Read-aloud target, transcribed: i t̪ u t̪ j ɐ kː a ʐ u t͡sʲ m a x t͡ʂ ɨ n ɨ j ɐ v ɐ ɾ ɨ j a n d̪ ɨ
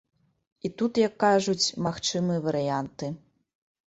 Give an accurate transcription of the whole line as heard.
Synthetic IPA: i t̪ u t̪ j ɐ kː a ʐ u t͡sʲ m a x t͡ʂ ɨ m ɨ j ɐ v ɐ ɾ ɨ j a n t̪ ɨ